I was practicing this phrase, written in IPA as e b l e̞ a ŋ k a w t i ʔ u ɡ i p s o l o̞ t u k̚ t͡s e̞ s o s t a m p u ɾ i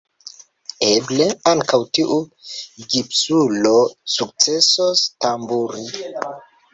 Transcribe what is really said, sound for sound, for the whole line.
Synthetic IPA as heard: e b l e̞ a ŋ k a w t i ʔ u ɡ i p s u l o̞ s u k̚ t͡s e̞ s o s t a m b u ɾ i